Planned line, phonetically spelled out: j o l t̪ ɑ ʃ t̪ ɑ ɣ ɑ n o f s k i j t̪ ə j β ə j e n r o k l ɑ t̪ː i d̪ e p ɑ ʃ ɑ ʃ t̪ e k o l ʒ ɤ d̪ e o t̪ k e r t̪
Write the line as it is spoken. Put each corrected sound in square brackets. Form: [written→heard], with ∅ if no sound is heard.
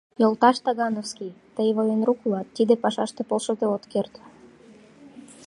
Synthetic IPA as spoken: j o l t̪ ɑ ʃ t̪ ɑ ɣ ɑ n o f s k i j t̪ ə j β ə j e n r [o→u] k l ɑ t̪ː i d̪ e p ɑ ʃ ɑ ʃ t̪ e [k→p] o l [ʒ→ʃ] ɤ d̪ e o t̪ k e r t̪